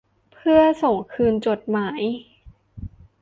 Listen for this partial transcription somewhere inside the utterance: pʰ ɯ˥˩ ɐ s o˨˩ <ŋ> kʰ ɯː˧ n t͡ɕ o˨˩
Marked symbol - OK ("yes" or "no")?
yes